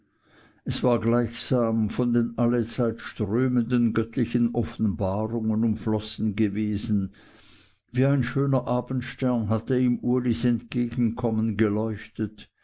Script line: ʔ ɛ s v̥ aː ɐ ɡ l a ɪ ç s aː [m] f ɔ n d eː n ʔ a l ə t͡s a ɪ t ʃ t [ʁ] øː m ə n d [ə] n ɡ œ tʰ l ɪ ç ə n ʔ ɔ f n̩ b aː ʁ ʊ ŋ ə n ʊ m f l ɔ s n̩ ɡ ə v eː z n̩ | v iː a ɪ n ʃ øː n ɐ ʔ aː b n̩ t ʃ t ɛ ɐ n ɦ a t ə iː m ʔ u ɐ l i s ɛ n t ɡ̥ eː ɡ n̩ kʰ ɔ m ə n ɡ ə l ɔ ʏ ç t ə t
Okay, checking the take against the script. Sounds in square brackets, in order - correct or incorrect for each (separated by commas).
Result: correct, correct, correct